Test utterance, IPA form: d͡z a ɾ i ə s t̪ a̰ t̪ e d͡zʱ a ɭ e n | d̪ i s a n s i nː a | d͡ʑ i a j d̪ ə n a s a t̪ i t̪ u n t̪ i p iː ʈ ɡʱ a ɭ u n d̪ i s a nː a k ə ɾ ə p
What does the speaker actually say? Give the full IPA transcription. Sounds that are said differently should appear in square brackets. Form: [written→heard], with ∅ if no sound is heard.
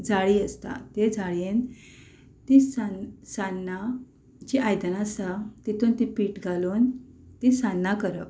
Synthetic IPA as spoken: d͡z a [ɾ→ɭ] i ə s t̪ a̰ t̪ e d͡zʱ a ɭ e n | [d̪→t̪] i s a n s [i→a] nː a | d͡ʑ i a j d̪ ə n a s a t̪ i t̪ u n t̪ i p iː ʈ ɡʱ a [ɭ→l] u n [d̪→t̪] i s a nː a k ə ɾ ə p